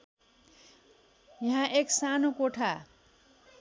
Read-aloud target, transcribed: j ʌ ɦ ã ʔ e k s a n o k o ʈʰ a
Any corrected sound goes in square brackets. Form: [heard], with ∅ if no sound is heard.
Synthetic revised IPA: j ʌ ɦ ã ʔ e k s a n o k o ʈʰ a